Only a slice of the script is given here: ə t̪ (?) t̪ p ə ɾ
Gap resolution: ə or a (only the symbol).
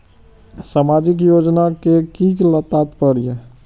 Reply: a